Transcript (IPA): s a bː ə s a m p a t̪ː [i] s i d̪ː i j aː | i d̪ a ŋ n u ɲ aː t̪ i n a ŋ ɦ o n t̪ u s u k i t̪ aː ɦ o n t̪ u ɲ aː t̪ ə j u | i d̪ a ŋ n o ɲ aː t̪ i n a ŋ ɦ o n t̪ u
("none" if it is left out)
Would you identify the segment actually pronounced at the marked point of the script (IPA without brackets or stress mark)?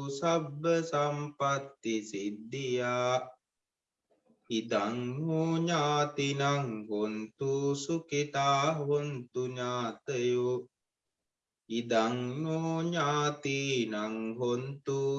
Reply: i